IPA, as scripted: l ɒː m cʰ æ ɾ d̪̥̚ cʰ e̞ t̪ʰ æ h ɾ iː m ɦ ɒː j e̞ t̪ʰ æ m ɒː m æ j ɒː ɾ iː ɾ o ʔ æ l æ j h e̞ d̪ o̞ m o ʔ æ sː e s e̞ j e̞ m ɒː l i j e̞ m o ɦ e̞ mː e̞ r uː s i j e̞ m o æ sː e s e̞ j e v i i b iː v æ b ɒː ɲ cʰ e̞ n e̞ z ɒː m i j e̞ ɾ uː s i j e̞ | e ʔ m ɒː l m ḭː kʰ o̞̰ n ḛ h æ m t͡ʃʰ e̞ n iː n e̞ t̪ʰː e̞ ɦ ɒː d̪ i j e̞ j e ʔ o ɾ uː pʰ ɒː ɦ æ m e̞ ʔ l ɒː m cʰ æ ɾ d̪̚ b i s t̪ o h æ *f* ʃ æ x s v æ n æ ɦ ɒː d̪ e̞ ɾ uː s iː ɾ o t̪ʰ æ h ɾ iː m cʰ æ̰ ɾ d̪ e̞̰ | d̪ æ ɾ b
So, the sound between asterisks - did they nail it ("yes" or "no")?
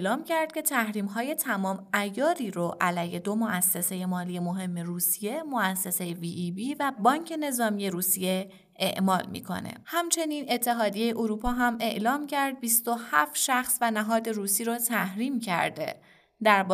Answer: yes